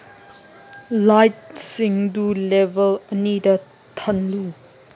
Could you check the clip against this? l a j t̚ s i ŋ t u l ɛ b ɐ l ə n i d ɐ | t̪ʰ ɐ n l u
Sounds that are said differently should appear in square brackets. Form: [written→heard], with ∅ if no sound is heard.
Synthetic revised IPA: l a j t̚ s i ŋ [t→d] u l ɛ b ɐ l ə n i d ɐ | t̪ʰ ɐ n l u